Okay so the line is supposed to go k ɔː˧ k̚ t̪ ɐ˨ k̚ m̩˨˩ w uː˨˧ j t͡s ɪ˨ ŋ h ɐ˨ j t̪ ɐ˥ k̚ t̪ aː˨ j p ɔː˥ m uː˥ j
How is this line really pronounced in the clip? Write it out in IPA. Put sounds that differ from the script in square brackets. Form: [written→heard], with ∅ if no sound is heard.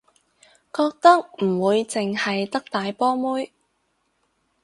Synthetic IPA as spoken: k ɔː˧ k̚ t̪ [ɐ˨→ɐ˥] k̚ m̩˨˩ w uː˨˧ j t͡s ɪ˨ ŋ h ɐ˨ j t̪ ɐ˥ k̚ t̪ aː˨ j p ɔː˥ m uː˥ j